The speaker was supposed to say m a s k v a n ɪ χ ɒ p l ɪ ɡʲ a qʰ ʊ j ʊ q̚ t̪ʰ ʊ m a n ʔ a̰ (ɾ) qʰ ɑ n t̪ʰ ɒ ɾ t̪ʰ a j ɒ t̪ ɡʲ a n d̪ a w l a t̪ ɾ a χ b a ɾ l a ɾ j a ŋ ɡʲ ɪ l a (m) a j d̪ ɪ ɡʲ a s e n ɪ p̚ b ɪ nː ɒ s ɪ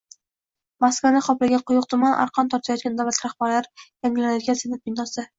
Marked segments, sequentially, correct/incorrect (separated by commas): correct, incorrect